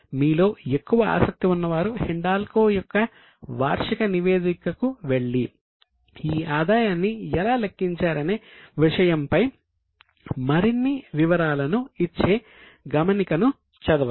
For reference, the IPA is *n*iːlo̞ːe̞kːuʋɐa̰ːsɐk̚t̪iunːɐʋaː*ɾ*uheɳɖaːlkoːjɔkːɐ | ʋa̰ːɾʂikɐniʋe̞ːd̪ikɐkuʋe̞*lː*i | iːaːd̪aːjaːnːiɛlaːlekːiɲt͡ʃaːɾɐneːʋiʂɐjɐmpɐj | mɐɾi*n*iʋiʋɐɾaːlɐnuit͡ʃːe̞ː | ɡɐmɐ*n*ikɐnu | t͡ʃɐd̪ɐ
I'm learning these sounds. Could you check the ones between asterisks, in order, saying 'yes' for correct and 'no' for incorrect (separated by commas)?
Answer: no, yes, no, no, yes